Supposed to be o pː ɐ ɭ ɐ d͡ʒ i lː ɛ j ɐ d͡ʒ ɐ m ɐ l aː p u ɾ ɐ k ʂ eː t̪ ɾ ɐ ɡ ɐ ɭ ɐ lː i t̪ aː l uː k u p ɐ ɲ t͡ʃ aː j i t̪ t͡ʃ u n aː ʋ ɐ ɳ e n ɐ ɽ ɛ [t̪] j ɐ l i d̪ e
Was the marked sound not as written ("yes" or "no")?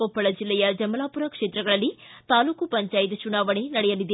yes